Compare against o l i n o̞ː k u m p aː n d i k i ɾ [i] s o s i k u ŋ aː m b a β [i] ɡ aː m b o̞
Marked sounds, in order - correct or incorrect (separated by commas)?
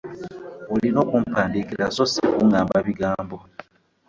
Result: incorrect, correct